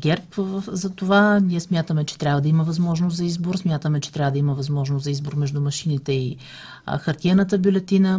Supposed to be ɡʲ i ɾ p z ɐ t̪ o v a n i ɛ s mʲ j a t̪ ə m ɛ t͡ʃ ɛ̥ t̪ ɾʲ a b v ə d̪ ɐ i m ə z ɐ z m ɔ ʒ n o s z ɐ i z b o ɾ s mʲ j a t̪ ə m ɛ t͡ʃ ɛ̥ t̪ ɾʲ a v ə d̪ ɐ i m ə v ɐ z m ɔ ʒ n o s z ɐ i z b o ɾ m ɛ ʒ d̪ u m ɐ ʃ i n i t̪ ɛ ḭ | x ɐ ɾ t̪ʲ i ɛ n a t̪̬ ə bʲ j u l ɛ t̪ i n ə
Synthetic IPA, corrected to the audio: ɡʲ ɛ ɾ p z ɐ t̪ o v a n i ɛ s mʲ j a t̪ ə m ɛ t͡ʃ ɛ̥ t̪ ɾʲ a b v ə d̪ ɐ i m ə v ɐ z m ɔ ʒ n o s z ɐ i z b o ɾ s mʲ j a t̪ ə m ɛ t͡ʃ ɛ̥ t̪ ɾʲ a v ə d̪ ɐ i m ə v ɐ z m ɔ ʒ n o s z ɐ i z b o ɾ m ɛ ʒ d̪ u m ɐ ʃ i n i t̪ ɛ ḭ | x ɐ ɾ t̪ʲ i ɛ n ə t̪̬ ə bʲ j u l ɛ t̪ i n ə